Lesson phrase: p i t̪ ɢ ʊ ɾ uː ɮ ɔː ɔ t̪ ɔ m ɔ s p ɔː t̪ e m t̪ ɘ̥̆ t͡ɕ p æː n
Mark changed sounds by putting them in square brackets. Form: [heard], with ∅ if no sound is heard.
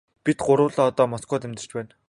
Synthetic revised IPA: p i t̪ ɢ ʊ ɾ [ʊː] ɮ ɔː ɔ t̪ [ɔː] m ɔ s [k] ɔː t̪ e m t̪ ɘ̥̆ t͡ɕ p æː n